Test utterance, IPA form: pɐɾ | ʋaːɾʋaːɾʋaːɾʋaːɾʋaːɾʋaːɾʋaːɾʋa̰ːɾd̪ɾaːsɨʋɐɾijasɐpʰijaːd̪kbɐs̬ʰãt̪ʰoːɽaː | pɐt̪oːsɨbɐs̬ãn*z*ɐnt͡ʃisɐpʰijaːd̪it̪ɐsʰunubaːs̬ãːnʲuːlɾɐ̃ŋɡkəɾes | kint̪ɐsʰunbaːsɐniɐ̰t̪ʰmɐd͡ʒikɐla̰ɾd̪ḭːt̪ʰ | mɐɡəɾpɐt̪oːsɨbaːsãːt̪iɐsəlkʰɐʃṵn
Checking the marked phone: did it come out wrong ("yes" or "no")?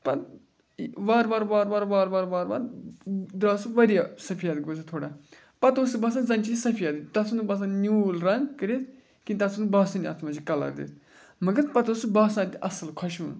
no